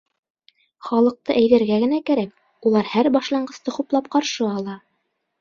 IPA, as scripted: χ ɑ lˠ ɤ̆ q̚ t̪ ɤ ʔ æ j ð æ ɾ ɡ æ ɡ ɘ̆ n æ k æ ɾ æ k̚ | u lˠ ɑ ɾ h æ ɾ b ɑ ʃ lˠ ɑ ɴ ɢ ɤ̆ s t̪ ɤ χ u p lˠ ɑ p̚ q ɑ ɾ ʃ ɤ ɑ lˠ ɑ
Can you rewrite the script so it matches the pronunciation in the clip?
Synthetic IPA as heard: χ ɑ lˠ ɤ̆ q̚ t̪ ɤ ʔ æ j ð æ ɾ ɡ æ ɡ ɘ̆ n æ k æ ɾ æ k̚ | u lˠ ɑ ɾ h æ ɾ b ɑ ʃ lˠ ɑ ɴ ɢ ɤ̆ s t̪ ɤ χ u p lˠ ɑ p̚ q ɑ ɾ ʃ ɤ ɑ lˠ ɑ